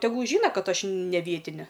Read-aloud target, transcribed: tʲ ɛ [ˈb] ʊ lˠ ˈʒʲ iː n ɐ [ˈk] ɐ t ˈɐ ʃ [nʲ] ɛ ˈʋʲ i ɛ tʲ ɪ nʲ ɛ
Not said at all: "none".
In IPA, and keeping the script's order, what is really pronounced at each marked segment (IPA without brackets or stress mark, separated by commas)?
ɡ, k, nʲ